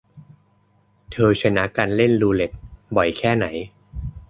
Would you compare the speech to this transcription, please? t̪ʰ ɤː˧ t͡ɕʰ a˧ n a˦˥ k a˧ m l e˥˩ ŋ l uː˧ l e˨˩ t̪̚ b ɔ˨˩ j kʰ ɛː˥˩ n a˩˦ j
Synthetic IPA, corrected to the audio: t̪ʰ ɤː˧ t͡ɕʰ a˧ n a˦˥ k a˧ n l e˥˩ n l uː˧ l e˨˩ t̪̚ b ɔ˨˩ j kʰ ɛː˥˩ n a˩˦ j